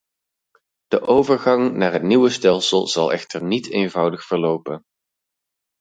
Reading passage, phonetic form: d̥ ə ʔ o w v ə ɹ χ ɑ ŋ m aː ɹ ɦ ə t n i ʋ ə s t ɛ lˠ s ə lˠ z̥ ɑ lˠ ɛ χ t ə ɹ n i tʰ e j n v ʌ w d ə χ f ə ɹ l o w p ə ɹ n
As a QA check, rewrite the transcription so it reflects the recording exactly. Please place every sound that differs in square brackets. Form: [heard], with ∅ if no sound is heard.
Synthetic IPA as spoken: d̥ ə ʔ o w v ə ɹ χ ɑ ŋ [n] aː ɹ ɦ ə t n i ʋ ə s t ɛ lˠ s ə lˠ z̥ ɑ lˠ ɛ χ t ə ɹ n i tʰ e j n v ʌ w d ə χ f ə ɹ l o w p ə [∅] n